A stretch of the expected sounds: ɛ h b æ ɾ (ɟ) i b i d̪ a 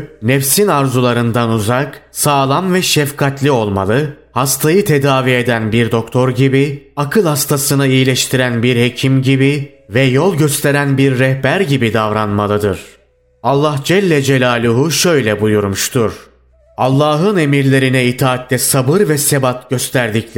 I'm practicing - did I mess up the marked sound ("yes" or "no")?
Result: no